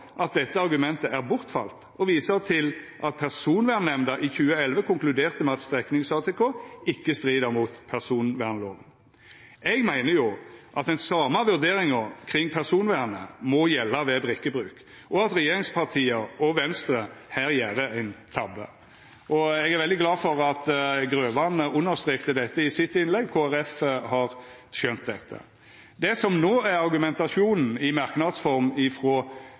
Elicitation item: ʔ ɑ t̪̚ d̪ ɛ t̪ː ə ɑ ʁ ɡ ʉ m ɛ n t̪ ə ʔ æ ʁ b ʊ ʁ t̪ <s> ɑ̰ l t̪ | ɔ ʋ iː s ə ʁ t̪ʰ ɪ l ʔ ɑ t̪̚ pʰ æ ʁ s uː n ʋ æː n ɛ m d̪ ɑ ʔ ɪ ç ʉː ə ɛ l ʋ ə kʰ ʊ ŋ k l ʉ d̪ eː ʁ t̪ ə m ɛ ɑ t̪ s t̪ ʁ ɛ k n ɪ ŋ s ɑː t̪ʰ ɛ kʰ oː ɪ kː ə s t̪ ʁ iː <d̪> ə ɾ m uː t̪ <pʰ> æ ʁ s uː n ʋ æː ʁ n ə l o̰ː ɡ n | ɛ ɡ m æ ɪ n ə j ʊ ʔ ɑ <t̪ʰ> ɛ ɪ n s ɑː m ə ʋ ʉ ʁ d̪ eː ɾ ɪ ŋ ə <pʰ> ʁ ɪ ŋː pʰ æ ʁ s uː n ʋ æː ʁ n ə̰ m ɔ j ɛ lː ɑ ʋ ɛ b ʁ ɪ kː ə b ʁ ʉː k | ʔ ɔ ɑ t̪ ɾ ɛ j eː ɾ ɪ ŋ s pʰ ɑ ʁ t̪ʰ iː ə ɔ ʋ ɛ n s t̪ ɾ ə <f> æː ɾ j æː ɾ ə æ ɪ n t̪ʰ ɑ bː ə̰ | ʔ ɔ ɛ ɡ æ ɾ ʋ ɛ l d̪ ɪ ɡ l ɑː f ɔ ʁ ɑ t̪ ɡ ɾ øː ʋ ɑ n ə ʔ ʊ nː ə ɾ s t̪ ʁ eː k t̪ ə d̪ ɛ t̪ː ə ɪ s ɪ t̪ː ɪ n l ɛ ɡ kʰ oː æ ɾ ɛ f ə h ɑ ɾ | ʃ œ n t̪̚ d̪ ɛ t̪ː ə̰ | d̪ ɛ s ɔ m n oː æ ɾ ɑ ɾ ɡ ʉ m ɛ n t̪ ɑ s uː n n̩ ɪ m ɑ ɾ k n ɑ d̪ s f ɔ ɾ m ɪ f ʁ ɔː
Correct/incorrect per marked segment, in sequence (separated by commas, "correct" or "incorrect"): incorrect, correct, correct, incorrect, incorrect, incorrect